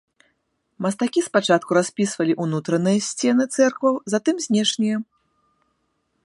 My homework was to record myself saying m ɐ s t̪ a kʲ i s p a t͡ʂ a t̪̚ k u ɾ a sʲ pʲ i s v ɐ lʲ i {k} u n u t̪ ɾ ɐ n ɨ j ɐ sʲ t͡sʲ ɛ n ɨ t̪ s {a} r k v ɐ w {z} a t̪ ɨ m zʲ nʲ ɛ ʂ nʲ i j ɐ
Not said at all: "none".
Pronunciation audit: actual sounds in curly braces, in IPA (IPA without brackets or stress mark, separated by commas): ʔ, ɛ, z